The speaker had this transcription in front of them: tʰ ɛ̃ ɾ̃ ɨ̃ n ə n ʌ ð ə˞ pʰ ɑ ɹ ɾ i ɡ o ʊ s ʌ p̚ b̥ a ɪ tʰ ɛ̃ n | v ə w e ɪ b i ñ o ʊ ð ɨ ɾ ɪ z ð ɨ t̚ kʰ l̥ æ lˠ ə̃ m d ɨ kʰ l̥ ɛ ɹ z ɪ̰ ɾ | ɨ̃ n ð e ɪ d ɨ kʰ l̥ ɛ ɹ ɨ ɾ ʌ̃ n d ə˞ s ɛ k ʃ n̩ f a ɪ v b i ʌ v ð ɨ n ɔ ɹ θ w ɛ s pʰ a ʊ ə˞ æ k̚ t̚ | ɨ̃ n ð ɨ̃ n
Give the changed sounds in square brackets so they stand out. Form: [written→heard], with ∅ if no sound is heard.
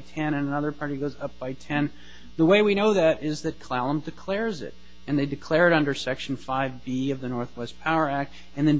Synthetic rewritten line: tʰ ɛ̃ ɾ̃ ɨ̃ n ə n ʌ ð ə˞ pʰ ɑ ɹ ɾ i ɡ o ʊ [s→z] ʌ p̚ b̥ a ɪ tʰ ɛ̃ n | [v→ð] ə w e ɪ [b→w] i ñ o ʊ ð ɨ ɾ ɪ z ð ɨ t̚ kʰ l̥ æ lˠ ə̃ m d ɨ kʰ l̥ ɛ ɹ z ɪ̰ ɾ | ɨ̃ n ð e ɪ d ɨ kʰ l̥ ɛ ɹ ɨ ɾ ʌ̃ n d ə˞ s ɛ k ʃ n̩ f a ɪ v b i ʌ v ð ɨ n ɔ ɹ θ w ɛ s pʰ a ʊ ə˞ æ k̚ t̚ | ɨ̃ n ð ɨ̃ n